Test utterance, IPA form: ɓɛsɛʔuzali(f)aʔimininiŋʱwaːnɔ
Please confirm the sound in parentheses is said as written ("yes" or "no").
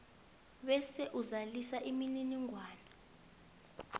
no